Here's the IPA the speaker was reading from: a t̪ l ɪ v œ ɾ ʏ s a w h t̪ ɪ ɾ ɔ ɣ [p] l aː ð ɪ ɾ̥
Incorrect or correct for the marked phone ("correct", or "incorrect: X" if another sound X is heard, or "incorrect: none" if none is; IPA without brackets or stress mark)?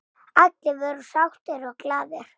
incorrect: k